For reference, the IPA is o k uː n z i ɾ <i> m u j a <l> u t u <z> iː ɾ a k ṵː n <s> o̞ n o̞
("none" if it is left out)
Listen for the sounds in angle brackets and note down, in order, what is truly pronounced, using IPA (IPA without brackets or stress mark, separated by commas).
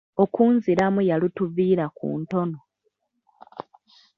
a, l, v, t